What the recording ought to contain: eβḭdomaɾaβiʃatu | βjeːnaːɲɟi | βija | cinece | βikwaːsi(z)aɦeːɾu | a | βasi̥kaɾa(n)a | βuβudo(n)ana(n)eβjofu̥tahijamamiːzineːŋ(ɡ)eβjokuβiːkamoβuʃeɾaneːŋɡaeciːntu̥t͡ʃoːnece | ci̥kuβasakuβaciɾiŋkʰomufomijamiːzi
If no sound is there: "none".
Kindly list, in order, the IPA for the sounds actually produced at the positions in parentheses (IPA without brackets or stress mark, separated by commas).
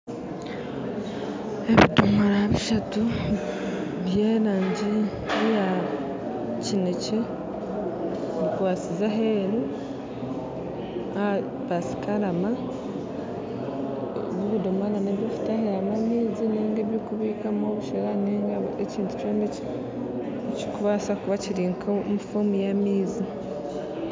z, m, m, n, ɡ